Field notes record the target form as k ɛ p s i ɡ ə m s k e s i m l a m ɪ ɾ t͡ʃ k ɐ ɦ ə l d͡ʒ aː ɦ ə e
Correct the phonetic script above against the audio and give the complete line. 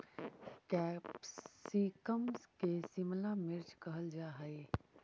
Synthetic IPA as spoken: k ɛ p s i k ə m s k e s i m l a m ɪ ɾ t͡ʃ k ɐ ɦ ə l d͡ʒ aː ɦ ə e